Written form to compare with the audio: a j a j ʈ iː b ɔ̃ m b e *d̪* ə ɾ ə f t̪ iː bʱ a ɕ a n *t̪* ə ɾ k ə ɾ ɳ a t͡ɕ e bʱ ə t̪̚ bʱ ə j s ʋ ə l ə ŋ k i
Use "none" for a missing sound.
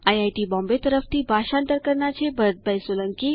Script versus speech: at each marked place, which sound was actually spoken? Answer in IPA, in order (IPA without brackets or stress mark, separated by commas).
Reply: t̪, t̪